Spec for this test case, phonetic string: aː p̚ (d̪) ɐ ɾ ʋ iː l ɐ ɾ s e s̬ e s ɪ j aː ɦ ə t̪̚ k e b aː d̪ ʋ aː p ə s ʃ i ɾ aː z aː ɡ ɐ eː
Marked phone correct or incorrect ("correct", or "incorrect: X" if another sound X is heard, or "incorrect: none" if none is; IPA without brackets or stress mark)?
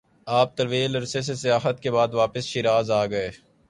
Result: incorrect: t̪